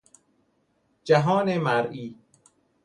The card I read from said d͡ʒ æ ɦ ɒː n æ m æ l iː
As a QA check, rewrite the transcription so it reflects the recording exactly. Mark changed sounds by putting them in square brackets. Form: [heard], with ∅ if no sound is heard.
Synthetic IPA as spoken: d͡ʒ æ ɦ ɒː n [e] m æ [ɾ] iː